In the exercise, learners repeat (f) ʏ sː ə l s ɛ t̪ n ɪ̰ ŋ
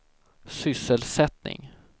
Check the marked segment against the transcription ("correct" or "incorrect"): incorrect